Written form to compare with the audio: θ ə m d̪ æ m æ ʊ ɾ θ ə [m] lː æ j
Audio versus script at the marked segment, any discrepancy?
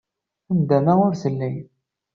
yes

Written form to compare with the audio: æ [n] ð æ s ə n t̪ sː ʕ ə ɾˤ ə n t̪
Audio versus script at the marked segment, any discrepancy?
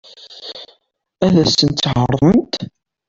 yes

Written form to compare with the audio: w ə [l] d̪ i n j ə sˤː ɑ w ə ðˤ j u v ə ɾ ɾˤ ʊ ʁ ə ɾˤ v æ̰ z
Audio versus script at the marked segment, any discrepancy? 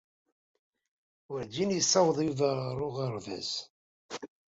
yes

